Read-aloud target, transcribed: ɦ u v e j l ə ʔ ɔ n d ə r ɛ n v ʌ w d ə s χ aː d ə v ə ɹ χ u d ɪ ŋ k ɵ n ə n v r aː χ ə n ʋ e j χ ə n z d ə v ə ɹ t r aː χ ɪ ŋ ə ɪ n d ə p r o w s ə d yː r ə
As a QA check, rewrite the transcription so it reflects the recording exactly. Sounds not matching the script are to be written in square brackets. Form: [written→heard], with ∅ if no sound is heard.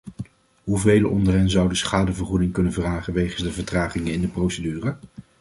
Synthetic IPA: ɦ u v e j l ə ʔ ɔ n d ə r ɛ n [v→z] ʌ w d ə s χ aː d ə v ə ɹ χ u d ɪ ŋ k ɵ n ə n v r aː χ ə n ʋ e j χ ə n z d ə v ə ɹ t r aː χ ɪ ŋ ə ɪ n d ə p r o w s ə d yː r ə

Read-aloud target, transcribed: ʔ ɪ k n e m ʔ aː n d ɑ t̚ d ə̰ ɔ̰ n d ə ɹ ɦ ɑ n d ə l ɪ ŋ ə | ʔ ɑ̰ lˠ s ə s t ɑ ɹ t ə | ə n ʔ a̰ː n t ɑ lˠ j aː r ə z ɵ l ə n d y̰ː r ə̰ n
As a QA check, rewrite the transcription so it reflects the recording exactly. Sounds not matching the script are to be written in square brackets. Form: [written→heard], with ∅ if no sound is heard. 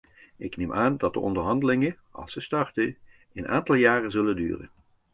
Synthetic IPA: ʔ ɪ k n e m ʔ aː n d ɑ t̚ d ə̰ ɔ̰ n d ə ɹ ɦ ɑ n d ə l ɪ ŋ ə | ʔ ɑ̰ lˠ s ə s t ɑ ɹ t ə | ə n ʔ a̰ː n t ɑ lˠ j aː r ə z ɵ l ə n d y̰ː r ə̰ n

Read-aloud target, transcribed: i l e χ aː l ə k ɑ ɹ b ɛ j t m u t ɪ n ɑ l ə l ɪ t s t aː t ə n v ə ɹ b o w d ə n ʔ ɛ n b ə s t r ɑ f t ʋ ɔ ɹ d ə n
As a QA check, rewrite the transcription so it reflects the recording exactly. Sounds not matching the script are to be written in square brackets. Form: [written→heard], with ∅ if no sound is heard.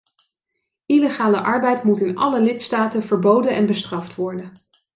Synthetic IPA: i l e χ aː l ə [k→ʔ] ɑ ɹ b ɛ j t m u t ɪ n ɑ l ə l ɪ t s t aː t ə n v ə ɹ b o w d ə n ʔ ɛ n b ə s t r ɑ f t ʋ ɔ ɹ d ə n

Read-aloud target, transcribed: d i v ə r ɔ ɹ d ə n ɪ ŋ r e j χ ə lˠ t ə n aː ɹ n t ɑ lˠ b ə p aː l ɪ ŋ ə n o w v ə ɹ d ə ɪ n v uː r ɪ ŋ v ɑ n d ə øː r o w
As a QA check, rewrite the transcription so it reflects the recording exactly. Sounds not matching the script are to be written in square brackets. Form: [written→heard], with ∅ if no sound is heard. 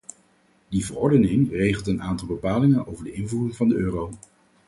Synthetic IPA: d i v ə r ɔ ɹ d ə n ɪ ŋ r e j χ ə lˠ t ə n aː [ɹ→∅] n t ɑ lˠ b ə p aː l ɪ ŋ ə n o w v ə ɹ d ə ɪ n v uː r ɪ ŋ v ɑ n d ə øː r o w

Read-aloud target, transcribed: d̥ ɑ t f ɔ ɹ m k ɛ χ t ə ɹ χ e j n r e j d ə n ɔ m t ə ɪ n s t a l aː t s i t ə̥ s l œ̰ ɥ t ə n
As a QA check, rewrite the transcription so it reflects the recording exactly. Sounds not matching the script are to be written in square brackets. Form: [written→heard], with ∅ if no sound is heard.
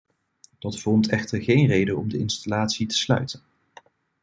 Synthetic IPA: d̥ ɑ t f ɔ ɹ m [k→t] ɛ χ t ə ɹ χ e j n r e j d ə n ɔ m [t→d] ə ɪ n s t a l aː t s i t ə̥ s l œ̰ ɥ t ə n

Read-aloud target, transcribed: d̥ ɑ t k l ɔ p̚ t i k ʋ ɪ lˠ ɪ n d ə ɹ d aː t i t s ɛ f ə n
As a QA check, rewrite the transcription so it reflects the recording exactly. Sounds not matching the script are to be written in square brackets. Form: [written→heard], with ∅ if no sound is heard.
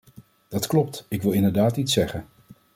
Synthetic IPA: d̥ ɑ t k l ɔ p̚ t [i→ɪ] k ʋ ɪ lˠ ɪ n d ə ɹ d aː t i t s ɛ [f→χ] ə n

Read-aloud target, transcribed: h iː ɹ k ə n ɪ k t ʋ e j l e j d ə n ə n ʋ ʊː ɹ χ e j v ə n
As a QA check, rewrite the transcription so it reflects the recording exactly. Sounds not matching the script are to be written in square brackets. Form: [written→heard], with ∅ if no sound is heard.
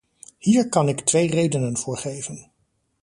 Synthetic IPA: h iː ɹ k [ə→ɑ] n ɪ k t ʋ e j [l→r] e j d ə n ə n [ʋ→v] ʊː ɹ χ e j v ə n

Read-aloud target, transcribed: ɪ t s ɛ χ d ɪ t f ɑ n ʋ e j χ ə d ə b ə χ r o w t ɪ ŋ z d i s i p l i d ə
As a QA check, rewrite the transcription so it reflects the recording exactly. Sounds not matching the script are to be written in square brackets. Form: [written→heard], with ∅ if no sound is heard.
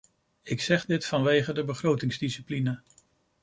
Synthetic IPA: ɪ [t→k] s ɛ χ d ɪ t f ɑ n ʋ e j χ ə d ə b ə χ r o w t ɪ ŋ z d i s i p l i [d→n] ə

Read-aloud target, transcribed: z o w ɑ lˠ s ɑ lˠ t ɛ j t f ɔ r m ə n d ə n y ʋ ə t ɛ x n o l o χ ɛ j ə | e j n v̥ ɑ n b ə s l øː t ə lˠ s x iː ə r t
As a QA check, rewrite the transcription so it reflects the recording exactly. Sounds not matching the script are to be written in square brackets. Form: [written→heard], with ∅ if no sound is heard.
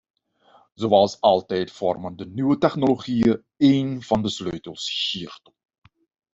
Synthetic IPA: z o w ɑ lˠ s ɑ lˠ t ɛ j t f ɔ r m ə n d ə n y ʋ ə t ɛ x n o l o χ [ɛ→i] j ə | e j n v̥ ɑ n [b→d] ə s l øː t ə lˠ s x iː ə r t

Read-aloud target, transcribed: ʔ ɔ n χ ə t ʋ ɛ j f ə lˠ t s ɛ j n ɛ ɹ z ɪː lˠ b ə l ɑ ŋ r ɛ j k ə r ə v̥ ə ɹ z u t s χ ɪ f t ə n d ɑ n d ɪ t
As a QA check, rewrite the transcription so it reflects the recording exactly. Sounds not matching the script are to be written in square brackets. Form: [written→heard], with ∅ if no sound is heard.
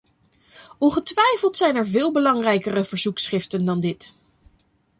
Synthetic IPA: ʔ ɔ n χ ə t ʋ ɛ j f ə lˠ t s ɛ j n ɛ ɹ [z→v] ɪː lˠ b ə l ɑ ŋ r ɛ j k ə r ə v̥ ə ɹ z u [t→k] s χ ɪ f t ə n d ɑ n d ɪ t

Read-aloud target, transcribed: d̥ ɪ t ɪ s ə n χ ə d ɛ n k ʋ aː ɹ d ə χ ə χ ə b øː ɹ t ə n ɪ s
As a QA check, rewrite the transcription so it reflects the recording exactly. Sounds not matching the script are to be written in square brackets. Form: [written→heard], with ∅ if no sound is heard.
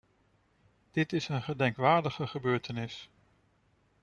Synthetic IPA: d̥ ɪ t ɪ s ə n χ ə d ɛ [n→ŋ] k ʋ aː ɹ d ə χ ə χ ə b øː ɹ t ə n ɪ s

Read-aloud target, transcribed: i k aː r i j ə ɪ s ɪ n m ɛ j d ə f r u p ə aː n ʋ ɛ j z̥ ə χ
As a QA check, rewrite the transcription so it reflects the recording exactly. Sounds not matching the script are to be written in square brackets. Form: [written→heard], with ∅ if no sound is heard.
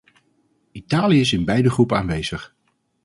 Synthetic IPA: i [k→t] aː [r→l] i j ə ɪ s ɪ n [m→b] ɛ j d ə [f→χ] r u p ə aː n ʋ [ɛ→e] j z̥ ə χ

